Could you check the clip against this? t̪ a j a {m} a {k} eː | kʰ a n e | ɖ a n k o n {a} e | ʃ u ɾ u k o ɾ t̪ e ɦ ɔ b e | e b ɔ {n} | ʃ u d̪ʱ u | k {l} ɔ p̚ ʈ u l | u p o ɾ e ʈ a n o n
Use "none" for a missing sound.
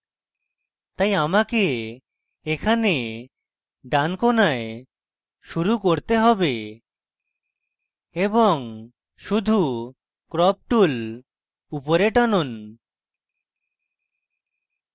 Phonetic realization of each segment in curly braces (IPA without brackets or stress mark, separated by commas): m, k, a, ŋ, ɾ